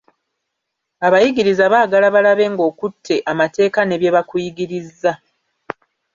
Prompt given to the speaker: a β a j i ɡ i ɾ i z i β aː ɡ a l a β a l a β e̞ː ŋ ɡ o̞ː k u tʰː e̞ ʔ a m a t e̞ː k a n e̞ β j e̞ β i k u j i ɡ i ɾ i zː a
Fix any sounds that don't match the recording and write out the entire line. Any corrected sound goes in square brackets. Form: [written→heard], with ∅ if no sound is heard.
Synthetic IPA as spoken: a β a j i ɡ i ɾ i z [i→a] β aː ɡ a l a β a l a β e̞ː ŋ ɡ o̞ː k u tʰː e̞ ʔ a m a t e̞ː k a n e̞ β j e̞ β [i→a] k u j i ɡ i ɾ i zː a